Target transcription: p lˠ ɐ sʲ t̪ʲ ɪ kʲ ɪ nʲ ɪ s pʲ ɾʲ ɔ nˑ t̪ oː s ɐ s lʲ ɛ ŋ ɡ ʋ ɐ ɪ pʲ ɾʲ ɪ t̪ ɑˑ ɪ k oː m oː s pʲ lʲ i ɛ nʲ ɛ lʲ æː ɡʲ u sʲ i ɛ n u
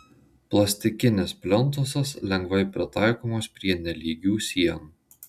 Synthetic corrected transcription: p lˠ ɐ sʲ t̪ʲ ɪ kʲ ɪ nʲ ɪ s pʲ lʲ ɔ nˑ t̪ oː s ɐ s lʲ ɛ ŋ ɡ ʋ ɐ ɪ pʲ ɾʲ ɪ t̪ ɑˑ ɪ k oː m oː s pʲ ɾʲ i ɛ nʲ ɛ lʲ iː ɡʲ uː sʲ i ɛ n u